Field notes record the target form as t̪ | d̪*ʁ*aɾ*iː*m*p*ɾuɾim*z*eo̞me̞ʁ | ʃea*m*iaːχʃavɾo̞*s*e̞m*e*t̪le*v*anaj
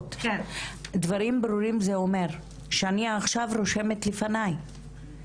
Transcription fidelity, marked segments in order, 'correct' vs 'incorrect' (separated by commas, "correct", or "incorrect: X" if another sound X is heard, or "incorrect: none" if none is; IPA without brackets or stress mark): incorrect: v, incorrect: i, incorrect: b, correct, incorrect: n, incorrect: ʃ, correct, incorrect: f